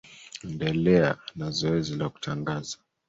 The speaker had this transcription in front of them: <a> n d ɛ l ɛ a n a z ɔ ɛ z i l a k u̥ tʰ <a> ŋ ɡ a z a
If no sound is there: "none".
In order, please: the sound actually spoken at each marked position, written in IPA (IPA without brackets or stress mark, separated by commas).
ɛ, a